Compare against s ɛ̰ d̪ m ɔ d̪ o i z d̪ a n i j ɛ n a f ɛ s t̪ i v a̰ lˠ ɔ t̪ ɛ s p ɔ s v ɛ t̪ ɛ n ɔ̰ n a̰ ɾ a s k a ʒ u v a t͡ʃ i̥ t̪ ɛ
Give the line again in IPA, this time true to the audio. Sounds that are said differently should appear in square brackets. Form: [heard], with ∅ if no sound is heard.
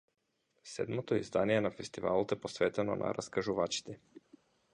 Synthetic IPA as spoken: s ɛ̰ d̪ m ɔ [t̪] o i z d̪ a n i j ɛ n a f ɛ s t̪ i v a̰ lˠ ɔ t̪ ɛ [∅] p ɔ s v ɛ t̪ ɛ n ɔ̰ n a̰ ɾ a s k a ʒ u v a t͡ʃ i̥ t̪ ɛ